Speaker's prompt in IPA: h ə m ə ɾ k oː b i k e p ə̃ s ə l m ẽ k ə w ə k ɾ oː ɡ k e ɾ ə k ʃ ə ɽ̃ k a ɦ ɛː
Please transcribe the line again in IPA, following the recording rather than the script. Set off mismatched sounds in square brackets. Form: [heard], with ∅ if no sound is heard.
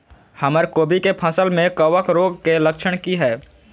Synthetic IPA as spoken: h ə m ə ɾ k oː b i k e [pʰ] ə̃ s ə l m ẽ k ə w ə k ɾ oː ɡ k e [l] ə k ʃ ə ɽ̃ k [i] ɦ ɛː